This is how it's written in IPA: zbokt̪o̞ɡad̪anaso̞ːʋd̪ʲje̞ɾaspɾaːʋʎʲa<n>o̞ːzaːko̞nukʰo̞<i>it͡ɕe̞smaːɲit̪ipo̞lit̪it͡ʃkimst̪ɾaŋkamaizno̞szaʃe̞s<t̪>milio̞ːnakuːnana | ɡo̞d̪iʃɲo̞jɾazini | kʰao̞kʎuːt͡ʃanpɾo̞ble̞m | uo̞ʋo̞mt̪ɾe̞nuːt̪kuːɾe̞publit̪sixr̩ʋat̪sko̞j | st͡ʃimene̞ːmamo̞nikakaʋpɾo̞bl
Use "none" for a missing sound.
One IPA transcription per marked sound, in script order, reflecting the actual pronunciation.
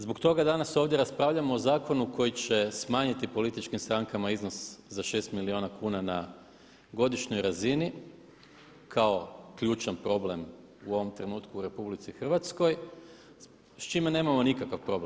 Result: m, j, t̪

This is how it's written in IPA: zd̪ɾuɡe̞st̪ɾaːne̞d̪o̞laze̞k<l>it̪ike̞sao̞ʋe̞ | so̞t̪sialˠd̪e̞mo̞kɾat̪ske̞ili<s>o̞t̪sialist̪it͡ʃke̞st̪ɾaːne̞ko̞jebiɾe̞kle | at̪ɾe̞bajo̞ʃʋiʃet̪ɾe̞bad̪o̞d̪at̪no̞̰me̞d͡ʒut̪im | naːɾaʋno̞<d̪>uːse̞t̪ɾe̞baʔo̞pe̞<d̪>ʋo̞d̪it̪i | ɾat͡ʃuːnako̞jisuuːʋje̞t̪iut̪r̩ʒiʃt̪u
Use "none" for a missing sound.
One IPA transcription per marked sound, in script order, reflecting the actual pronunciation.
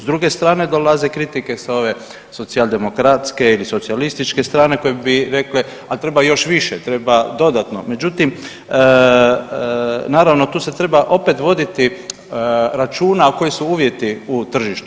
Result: ɾ, s, t̪, t̪

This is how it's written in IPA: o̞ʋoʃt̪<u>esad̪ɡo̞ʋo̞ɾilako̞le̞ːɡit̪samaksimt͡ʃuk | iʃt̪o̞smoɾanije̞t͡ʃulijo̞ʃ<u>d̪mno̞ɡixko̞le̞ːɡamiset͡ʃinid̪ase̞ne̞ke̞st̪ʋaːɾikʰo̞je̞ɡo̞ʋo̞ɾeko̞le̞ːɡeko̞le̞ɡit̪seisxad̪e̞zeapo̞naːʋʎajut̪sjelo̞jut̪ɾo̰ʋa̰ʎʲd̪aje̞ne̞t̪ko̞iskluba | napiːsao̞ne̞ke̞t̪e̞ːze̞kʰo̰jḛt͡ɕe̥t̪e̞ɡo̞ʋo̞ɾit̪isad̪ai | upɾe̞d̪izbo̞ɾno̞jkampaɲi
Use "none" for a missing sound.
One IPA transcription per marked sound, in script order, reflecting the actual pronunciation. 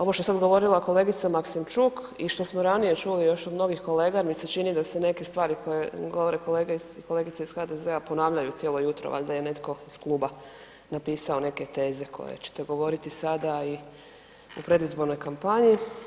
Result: o, o

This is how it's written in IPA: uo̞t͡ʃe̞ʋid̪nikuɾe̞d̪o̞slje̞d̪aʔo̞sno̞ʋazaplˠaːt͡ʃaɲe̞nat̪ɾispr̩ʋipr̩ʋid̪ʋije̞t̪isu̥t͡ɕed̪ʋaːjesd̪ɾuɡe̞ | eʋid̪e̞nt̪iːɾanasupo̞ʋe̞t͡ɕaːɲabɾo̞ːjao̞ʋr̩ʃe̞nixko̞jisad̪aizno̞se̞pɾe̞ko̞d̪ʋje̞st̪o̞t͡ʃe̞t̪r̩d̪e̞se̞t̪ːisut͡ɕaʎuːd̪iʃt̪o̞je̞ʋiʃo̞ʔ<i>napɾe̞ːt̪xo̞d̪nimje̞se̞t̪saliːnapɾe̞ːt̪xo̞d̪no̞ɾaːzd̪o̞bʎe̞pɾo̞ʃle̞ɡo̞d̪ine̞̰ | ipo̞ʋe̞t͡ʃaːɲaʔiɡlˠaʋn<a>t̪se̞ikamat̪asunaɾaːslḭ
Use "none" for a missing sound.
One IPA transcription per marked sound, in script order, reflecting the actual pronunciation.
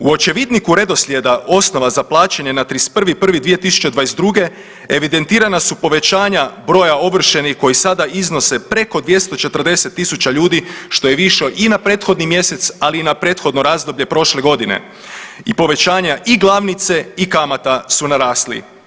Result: i, i

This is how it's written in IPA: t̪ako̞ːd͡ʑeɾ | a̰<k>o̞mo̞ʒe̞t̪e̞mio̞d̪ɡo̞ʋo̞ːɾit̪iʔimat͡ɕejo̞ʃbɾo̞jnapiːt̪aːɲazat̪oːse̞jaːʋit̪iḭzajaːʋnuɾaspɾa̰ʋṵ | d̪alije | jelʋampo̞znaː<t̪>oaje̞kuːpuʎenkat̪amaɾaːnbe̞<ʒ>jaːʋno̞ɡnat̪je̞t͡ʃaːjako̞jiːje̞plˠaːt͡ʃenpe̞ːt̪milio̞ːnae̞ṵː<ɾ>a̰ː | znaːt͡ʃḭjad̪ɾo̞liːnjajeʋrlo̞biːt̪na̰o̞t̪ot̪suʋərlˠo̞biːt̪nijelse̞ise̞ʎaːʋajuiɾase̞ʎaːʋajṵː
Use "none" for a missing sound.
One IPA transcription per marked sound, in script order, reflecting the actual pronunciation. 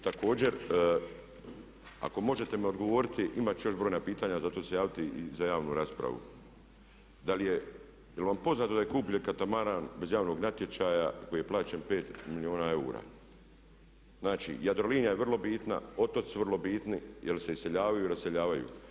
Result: k, t̪, z, ɾ

